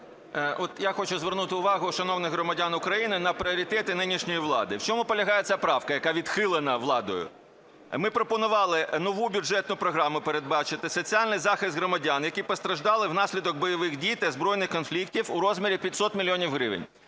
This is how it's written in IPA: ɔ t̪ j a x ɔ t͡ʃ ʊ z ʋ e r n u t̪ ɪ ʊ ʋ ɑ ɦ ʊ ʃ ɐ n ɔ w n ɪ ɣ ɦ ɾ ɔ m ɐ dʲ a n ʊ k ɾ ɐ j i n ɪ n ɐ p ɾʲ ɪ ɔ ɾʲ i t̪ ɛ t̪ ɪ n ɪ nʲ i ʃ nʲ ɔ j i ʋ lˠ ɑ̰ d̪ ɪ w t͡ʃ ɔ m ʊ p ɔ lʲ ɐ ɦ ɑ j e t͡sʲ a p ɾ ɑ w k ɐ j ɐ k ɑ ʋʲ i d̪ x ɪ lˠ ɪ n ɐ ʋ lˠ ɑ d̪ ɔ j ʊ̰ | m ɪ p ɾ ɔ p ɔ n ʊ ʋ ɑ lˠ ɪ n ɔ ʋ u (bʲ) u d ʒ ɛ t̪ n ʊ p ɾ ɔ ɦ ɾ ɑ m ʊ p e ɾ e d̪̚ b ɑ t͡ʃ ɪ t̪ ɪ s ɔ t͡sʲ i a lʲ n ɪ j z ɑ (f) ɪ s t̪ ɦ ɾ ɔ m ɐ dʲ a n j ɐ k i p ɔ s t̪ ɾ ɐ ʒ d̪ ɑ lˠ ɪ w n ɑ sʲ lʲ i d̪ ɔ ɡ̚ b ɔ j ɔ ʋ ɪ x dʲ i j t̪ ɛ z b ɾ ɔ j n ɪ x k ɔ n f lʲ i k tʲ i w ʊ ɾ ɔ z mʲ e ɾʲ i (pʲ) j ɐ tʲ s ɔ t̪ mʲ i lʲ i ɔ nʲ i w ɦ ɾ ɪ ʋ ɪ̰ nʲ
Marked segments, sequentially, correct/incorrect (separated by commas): correct, incorrect, correct